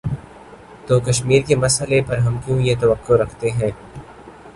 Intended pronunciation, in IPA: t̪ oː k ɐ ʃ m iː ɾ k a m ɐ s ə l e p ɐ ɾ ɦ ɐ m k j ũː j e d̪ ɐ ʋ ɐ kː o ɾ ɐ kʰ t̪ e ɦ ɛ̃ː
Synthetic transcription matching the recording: t̪ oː k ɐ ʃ m iː ɾ k e m ɐ s ə l e p ɐ ɾ ɦ ɐ m k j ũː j e t̪ ɐ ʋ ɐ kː o ɾ ɐ kʰ t̪ e ɦ ɛ̃ː